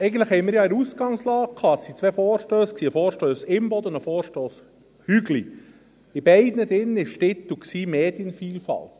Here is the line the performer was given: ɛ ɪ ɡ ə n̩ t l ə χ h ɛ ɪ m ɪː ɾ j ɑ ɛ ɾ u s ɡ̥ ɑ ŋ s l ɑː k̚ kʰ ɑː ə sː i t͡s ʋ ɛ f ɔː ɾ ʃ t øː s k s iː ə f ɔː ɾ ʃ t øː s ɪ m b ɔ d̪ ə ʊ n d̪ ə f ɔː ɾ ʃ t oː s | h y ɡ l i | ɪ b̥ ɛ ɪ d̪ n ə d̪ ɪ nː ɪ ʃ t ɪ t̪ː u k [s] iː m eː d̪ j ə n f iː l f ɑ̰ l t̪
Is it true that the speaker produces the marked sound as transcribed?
yes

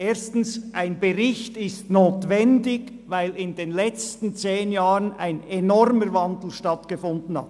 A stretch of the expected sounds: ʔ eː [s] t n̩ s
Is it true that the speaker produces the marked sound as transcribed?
yes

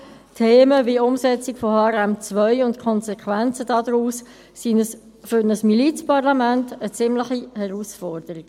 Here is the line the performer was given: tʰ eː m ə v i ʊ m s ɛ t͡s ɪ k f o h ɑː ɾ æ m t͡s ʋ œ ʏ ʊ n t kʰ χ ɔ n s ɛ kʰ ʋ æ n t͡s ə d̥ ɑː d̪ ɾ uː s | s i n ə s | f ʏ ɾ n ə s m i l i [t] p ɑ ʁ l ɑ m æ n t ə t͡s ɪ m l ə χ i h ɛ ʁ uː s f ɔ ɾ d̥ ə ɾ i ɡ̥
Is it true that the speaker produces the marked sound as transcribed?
no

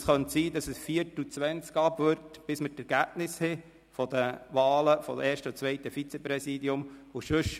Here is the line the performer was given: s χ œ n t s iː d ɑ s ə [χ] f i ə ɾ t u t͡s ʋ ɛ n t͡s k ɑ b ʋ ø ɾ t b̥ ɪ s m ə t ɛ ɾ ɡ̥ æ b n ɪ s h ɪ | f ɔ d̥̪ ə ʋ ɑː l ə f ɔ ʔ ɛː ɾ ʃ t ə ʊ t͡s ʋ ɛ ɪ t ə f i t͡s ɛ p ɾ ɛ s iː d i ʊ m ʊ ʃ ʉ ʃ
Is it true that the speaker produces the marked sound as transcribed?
no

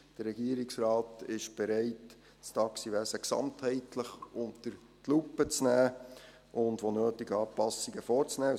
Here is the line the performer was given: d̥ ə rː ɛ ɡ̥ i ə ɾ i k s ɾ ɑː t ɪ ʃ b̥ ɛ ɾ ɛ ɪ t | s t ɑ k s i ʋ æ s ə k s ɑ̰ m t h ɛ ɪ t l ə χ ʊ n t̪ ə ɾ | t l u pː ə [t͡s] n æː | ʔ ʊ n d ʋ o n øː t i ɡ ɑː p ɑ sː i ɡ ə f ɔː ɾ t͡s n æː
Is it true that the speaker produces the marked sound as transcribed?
yes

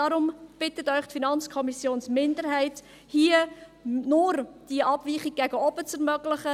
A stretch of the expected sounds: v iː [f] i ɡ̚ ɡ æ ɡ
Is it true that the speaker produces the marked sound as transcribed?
no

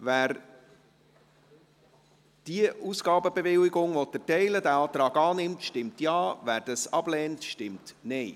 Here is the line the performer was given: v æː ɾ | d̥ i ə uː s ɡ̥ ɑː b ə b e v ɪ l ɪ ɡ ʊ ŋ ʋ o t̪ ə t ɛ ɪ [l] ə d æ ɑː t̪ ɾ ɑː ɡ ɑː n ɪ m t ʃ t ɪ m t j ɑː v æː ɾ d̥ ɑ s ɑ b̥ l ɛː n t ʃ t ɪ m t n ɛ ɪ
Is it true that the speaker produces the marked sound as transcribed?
yes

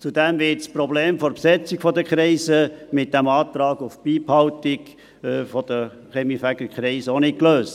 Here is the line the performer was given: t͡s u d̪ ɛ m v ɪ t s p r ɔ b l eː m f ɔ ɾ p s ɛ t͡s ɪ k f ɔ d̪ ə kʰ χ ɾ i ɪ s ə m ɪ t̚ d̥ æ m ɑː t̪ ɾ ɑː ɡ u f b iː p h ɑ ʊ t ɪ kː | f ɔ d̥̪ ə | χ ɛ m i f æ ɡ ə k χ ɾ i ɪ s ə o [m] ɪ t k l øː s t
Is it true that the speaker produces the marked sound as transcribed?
no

